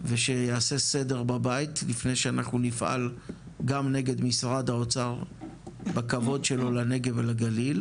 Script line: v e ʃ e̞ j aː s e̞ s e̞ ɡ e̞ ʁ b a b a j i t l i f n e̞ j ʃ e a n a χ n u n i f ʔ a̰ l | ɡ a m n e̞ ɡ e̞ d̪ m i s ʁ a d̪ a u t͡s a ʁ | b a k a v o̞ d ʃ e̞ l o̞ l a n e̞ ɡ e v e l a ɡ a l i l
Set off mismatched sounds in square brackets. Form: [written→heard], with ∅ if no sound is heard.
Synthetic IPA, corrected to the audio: v e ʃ e̞ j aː s e̞ s e̞ [ɡ→d] e̞ ʁ b a b a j i t l i f n e̞ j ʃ e a n a χ n u n i f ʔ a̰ l | ɡ a m n e̞ ɡ e̞ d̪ m i s ʁ a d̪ a [u→o] t͡s a ʁ | b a k a v o̞ d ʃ e̞ l o̞ l a n e̞ ɡ e v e l a ɡ a l i l